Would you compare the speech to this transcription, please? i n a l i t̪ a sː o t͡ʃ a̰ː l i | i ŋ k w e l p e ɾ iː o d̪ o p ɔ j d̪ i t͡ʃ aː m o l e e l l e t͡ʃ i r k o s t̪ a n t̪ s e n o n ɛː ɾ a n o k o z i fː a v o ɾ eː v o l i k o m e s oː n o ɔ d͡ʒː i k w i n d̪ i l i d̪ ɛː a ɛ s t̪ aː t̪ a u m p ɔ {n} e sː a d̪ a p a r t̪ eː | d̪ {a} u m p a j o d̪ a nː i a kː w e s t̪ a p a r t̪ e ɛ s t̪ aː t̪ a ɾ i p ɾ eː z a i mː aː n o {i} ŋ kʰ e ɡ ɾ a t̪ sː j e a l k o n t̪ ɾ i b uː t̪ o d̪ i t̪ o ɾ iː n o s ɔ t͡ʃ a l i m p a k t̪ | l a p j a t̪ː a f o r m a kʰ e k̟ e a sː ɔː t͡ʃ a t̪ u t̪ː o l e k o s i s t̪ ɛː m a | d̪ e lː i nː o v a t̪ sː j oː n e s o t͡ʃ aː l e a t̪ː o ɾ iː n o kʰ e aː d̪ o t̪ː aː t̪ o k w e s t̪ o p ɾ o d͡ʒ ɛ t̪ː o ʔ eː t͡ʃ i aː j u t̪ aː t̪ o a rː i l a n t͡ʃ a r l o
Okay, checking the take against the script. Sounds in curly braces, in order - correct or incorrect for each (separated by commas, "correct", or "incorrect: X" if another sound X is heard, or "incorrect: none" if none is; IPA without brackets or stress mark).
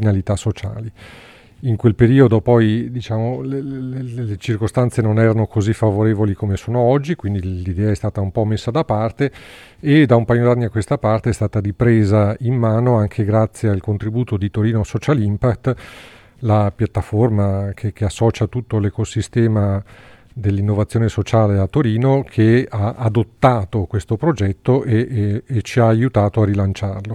incorrect: m, correct, incorrect: a